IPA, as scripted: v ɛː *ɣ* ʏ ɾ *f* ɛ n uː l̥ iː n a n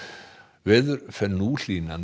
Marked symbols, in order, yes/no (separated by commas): no, yes